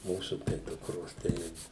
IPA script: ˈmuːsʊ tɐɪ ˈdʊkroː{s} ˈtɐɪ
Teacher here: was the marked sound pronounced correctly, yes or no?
yes